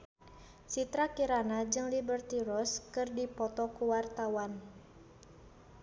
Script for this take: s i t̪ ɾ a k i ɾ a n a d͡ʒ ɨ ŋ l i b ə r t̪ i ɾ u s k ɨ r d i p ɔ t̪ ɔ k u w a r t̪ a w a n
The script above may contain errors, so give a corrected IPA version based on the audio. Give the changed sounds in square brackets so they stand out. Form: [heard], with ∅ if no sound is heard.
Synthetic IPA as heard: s i t̪ ɾ a k i ɾ a n a d͡ʒ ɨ ŋ l i b ə r t̪ i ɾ [ɔ] s k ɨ r d i p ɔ t̪ ɔ k u w a r t̪ a w a n